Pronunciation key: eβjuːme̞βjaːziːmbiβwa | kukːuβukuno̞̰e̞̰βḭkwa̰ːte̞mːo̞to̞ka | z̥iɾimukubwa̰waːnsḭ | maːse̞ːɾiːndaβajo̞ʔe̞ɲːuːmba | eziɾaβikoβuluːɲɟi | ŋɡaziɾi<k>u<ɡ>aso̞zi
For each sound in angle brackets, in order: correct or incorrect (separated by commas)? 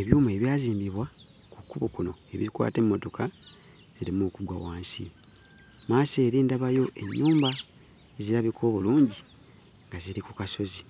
correct, incorrect